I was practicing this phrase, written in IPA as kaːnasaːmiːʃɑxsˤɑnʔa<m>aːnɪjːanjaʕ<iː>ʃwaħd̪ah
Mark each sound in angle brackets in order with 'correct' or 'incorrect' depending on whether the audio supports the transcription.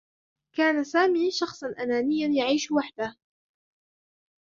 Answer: incorrect: n, correct

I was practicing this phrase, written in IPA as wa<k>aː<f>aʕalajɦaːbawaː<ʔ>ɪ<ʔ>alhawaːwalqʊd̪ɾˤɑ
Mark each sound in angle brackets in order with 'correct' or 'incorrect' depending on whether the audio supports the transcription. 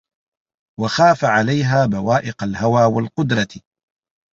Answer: incorrect: x, correct, correct, incorrect: q

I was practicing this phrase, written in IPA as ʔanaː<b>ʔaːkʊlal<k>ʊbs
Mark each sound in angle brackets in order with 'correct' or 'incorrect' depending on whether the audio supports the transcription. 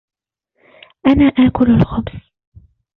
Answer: incorrect: none, incorrect: x

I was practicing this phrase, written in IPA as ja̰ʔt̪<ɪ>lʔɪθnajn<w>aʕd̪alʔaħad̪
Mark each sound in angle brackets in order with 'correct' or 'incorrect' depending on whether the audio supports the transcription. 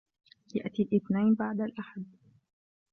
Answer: incorrect: i, incorrect: b

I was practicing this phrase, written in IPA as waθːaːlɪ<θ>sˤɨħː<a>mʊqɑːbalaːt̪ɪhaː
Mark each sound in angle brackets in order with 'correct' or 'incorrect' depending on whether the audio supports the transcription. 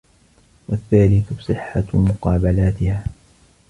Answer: correct, correct

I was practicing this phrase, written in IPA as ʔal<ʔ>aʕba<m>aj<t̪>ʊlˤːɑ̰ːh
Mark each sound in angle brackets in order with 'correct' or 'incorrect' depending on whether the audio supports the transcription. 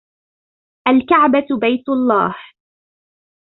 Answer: incorrect: k, incorrect: b, correct

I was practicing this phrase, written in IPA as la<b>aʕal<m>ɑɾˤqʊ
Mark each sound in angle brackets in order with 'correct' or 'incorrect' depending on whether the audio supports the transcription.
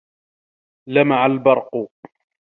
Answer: incorrect: m, incorrect: b

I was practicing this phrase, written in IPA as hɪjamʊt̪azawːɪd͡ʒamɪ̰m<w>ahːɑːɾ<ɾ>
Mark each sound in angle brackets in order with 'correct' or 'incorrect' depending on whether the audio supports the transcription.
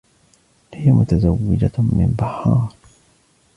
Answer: incorrect: b, correct

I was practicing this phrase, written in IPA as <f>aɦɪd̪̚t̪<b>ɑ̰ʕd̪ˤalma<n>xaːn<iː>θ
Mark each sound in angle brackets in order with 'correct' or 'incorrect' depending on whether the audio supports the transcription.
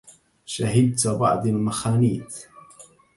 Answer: incorrect: ʃ, correct, incorrect: none, correct

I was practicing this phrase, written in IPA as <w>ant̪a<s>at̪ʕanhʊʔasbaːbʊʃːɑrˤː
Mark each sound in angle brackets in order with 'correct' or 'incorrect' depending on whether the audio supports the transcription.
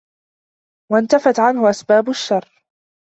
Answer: correct, incorrect: f

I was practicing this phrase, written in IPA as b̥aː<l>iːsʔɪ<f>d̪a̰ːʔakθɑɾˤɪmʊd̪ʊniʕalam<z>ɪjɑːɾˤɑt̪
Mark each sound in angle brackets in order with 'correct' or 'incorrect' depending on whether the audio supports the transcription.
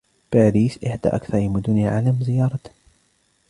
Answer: incorrect: ɾ, incorrect: ħ, correct

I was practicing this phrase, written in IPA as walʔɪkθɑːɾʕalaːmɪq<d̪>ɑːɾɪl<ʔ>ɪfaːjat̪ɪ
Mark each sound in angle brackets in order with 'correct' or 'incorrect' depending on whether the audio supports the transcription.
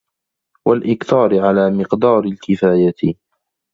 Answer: correct, incorrect: k

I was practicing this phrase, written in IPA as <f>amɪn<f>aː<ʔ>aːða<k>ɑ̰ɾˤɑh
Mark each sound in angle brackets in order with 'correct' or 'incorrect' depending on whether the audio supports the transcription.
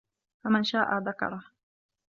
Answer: correct, incorrect: ʃ, correct, correct

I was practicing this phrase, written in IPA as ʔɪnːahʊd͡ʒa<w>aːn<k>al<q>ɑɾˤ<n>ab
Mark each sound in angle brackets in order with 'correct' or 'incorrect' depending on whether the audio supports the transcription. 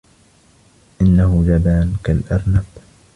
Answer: incorrect: b, correct, incorrect: ʔ, correct

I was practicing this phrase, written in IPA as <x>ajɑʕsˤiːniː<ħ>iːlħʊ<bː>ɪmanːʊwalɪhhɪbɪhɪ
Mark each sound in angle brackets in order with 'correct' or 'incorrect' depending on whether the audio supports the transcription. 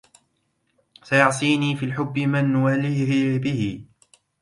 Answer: incorrect: s, incorrect: f, correct

